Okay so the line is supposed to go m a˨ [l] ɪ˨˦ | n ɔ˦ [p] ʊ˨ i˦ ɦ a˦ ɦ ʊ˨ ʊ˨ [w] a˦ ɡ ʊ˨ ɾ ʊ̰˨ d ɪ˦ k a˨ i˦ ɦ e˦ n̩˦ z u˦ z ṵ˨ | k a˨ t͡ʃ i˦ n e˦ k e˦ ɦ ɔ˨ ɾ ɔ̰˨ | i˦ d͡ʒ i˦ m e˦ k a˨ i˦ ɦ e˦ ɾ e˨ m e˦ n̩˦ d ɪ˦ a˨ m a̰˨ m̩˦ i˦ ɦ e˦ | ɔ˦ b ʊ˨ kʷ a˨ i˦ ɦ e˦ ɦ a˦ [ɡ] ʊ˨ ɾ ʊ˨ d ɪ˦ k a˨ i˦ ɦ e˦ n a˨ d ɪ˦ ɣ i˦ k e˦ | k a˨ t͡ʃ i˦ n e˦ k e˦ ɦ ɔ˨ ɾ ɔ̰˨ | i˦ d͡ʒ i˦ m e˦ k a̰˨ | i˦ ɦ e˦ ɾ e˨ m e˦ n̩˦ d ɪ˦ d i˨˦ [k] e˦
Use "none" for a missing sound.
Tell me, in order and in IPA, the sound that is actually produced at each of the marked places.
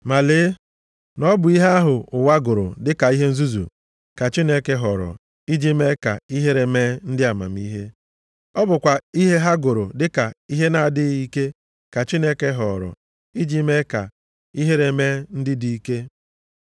l, b, w, ɡ, k

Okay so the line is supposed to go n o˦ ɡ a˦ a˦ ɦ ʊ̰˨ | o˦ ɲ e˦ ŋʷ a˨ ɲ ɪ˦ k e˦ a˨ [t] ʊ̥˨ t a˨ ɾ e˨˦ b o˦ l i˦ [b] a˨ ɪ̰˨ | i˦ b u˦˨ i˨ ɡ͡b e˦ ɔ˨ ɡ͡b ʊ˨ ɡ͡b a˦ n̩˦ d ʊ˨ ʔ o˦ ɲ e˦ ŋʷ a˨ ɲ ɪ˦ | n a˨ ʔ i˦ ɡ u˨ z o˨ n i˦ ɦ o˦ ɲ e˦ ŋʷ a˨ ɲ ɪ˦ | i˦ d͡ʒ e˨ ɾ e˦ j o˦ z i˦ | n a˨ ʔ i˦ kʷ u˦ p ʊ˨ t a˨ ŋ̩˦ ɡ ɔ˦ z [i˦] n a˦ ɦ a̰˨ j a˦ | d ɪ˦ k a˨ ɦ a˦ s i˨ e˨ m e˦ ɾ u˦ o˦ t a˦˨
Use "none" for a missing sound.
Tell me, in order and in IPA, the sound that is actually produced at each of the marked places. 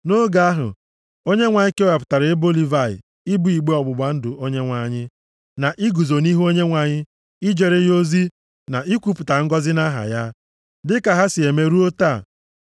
p, v, ɪ˦

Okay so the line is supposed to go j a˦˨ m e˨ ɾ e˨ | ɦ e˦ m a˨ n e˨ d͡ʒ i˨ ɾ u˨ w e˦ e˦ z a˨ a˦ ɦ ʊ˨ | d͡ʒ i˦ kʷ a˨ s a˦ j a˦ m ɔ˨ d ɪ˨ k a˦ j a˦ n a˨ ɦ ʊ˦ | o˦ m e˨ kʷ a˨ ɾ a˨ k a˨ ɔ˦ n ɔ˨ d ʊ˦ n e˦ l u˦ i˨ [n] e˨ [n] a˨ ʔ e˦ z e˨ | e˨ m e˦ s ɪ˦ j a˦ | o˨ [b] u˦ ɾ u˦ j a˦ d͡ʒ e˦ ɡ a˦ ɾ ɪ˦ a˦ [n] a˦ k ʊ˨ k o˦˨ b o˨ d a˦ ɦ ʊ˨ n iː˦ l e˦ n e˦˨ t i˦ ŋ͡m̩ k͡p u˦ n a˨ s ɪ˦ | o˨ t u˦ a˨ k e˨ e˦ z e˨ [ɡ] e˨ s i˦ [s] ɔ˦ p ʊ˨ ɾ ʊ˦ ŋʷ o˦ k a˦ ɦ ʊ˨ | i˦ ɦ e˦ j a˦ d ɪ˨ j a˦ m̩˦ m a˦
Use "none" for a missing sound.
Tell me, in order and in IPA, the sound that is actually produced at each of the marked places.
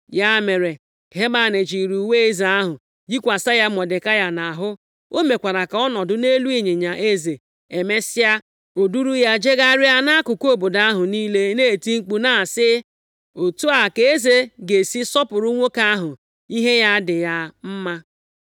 ɲ, ɲ, d, n, ɡ, s

